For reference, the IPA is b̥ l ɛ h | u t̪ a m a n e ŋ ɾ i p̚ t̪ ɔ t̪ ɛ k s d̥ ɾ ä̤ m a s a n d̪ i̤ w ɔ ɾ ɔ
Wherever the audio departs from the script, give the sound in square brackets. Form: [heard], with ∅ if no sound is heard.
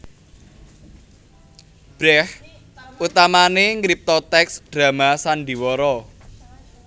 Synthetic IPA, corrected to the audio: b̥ [ɾ] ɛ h | u t̪ a m a n e ŋ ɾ i p̚ t̪ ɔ t̪ ɛ k s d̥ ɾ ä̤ m a s a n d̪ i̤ w ɔ ɾ ɔ